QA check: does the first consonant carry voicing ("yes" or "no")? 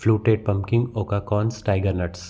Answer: no